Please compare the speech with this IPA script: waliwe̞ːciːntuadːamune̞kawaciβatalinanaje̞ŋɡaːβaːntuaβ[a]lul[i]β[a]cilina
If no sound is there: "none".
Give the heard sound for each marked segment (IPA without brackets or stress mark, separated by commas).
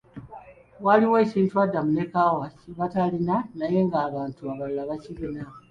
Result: a, a, a